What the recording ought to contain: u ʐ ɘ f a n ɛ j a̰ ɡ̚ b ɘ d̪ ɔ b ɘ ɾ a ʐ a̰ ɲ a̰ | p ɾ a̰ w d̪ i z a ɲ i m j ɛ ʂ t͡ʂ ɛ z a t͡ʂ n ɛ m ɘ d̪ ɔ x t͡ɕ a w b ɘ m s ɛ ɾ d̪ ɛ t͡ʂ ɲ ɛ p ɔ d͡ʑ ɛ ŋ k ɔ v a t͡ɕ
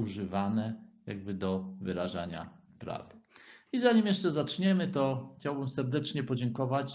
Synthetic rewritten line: u ʐ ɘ v a n ɛ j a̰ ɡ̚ b ɘ d̪ ɔ v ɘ ɾ a ʐ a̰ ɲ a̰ | p ɾ a̰ v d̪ i z a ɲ i m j ɛ ʂ t͡ʂ ɛ z a t͡ʂ ɲ ɛ m ɘ t̪ ɔ x t͡ɕ a w b ɘ m s ɛ ɾ d̪ ɛ t͡ʂ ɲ ɛ p ɔ d͡ʑ ɛ ŋ k ɔ v a t͡ɕ